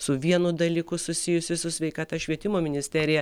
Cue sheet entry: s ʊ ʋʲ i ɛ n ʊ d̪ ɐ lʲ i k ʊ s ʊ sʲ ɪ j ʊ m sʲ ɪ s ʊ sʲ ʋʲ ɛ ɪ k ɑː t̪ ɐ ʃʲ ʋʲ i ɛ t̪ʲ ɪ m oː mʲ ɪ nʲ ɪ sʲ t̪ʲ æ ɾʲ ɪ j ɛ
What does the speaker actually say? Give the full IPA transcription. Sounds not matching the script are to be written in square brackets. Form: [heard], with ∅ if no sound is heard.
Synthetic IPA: s ʊ ʋʲ i ɛ n ʊ d̪ ɐ lʲ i k ʊ s ʊ sʲ ɪ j ʊ [∅] sʲ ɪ s ʊ sʲ ʋʲ ɛ ɪ k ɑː t̪ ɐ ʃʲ ʋʲ i ɛ t̪ʲ ɪ m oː mʲ ɪ nʲ ɪ sʲ t̪ʲ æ ɾʲ ɪ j ɛ